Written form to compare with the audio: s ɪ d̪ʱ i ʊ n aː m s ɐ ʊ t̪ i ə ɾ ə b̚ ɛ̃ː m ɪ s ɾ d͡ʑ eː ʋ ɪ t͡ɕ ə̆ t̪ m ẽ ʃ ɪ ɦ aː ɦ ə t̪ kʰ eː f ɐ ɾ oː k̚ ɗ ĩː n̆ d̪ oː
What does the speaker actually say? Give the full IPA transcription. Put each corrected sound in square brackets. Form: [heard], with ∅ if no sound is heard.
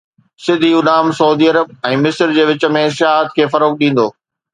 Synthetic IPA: s ɪ d̪ʱ i ʊ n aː m s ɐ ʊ [d̪] i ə ɾ ə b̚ ɛ̃ː m ɪ s ɾ d͡ʑ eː ʋ ɪ t͡ɕ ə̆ [∅] m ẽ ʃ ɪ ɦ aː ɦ ə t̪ kʰ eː f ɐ ɾ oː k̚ ɗ ĩː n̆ d̪ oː

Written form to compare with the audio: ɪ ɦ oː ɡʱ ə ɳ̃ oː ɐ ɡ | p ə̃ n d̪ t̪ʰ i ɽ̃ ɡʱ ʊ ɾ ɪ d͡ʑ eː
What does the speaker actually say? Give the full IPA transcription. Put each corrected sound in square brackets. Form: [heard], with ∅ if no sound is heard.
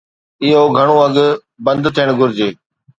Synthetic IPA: ɪ ɦ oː ɡʱ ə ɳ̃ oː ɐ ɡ | [b] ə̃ n d̪ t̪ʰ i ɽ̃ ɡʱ ʊ ɾ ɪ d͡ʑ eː

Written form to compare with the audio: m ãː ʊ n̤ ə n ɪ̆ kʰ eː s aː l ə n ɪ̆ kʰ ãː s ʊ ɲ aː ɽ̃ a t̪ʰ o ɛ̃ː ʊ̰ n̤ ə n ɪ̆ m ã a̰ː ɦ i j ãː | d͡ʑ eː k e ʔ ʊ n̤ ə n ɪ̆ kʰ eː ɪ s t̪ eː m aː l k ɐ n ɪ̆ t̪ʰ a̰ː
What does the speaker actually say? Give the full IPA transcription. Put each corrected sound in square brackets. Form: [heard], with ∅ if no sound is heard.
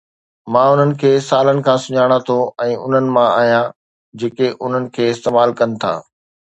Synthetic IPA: m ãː ʊ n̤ ə n ɪ̆ kʰ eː s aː l ə n ɪ̆ kʰ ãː s ʊ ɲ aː ɽ̃ a t̪ʰ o ɛ̃ː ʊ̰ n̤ ə n ɪ̆ m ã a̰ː ɦ i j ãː | d͡ʑ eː k e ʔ ʊ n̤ ə n ɪ̆ kʰ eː ɪ s t̪ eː m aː l k ɐ n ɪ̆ t̪ʰ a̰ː

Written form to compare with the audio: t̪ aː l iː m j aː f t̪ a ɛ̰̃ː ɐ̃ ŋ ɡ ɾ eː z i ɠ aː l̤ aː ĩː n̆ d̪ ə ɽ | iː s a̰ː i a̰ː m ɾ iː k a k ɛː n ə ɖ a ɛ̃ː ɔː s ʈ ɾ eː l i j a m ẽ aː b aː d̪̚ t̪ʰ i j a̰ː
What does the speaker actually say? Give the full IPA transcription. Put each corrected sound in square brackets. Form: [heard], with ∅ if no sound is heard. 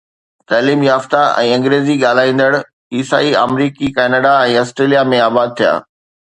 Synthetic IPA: t̪ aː l iː m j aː f t̪ a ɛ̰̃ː ɐ̃ ŋ ɡ ɾ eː z i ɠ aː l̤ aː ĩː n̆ d̪ ə ɽ | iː s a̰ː i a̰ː m ɾ iː k [i] k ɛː n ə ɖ a ɛ̃ː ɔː s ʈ ɾ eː l i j a m ẽ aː b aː d̪̚ t̪ʰ i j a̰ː

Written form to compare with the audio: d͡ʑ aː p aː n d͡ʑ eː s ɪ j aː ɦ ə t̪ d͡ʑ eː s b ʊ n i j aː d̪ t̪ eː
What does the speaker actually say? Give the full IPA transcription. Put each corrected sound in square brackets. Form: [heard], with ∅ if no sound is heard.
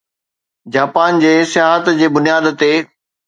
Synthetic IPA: d͡ʑ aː p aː n d͡ʑ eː s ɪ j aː ɦ ə t̪ d͡ʑ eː [∅] b ʊ n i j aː d̪ t̪ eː

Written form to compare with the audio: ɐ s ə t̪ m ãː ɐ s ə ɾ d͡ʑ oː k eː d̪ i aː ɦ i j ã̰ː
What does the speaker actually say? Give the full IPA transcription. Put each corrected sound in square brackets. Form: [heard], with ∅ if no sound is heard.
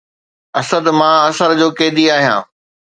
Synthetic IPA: ɐ s ə [d̪] m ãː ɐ s ə ɾ d͡ʑ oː k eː d̪ i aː ɦ i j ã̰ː

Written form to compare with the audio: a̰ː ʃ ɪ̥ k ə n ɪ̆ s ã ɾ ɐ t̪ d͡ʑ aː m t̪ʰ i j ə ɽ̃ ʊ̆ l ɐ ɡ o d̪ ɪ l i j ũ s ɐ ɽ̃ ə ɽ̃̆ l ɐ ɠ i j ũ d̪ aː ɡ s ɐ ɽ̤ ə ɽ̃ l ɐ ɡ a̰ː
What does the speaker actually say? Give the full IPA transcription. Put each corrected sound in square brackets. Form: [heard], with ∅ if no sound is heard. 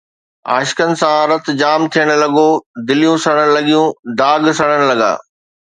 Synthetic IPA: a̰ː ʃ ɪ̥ k ə n ɪ̆ s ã ɾ ɐ t̪ d͡ʑ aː m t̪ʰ i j ə ɽ̃ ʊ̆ l ɐ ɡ o d̪ ɪ l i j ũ s ɐ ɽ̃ ə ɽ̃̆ l ɐ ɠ i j ũ d̪ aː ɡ s ɐ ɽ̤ ə ɽ̃ l ɐ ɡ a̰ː

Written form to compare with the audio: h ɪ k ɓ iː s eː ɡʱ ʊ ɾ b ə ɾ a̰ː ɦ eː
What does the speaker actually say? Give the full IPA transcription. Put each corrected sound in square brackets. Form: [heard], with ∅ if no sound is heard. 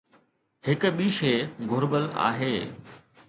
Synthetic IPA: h ɪ k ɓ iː [ʃ] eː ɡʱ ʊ ɾ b ə [l] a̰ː ɦ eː

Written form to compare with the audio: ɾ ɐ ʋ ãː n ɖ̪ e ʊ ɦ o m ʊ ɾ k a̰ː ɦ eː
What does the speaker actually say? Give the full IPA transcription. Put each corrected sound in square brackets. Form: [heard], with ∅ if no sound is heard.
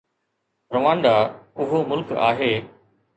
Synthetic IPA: ɾ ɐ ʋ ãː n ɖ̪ [a] ʊ ɦ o m ʊ [l] k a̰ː ɦ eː

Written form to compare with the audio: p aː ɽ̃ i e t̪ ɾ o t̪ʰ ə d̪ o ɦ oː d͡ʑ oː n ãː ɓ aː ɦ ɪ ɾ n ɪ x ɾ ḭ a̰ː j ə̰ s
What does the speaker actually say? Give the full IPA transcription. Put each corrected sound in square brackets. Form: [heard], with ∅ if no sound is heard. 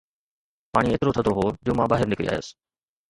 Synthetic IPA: p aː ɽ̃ i e t̪ ɾ o t̪ʰ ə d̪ o ɦ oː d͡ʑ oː [m] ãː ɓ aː ɦ ɪ ɾ n ɪ [k] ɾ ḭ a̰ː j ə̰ s

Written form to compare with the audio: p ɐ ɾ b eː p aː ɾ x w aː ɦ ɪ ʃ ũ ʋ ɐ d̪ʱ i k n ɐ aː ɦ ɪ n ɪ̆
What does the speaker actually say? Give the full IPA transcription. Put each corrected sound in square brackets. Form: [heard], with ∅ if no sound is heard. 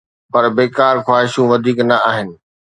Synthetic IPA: p ɐ ɾ b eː [k] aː ɾ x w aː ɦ ɪ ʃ ũ ʋ ɐ d̪ʱ [iː] k n ɐ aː ɦ ɪ n ɪ̆

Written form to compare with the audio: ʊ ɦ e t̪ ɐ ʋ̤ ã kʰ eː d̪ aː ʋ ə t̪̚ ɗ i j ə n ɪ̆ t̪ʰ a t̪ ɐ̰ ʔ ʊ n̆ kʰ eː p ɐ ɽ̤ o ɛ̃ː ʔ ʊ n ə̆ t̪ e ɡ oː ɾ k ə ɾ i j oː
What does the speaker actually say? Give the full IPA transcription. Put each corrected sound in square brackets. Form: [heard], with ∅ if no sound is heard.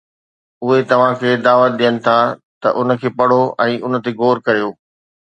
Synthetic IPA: ʊ ɦ e t̪ ɐ ʋ̤ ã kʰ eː d̪ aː ʋ ə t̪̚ ɗ i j ə n ɪ̆ t̪ʰ a t̪ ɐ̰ ʔ ʊ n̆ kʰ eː p ɐ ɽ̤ o ɛ̃ː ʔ ʊ n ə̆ t̪ e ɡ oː ɾ k [ɐ] ɾ i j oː

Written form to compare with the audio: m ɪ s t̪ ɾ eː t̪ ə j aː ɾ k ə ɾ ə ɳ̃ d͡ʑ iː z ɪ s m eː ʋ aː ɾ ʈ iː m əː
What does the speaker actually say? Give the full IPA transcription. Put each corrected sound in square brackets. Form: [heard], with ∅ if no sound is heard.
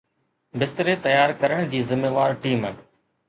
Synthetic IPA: [b] ɪ s t̪ ɾ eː t̪ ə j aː ɾ k ə ɾ ə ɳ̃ d͡ʑ iː z ɪ [∅] m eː ʋ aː ɾ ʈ iː m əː

